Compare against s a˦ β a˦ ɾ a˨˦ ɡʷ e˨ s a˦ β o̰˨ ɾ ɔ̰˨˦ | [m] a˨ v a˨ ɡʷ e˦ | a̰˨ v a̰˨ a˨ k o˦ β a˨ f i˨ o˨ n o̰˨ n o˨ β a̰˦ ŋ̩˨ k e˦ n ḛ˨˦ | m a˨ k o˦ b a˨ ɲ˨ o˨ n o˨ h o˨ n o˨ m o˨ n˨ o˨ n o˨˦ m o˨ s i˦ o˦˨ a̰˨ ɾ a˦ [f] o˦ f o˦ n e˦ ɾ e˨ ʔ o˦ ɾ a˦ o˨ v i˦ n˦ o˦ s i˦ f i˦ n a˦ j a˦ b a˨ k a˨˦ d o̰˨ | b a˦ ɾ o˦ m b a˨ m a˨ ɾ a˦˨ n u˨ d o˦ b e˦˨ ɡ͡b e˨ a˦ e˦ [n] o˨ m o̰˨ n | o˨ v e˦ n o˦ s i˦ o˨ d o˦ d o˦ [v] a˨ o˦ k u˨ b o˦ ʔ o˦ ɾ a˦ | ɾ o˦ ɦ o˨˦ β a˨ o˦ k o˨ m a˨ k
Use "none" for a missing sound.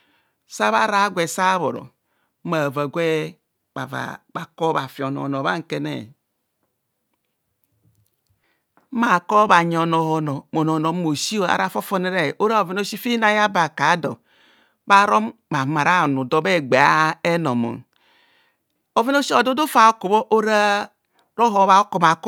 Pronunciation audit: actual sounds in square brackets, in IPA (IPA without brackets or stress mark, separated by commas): m, f, n, f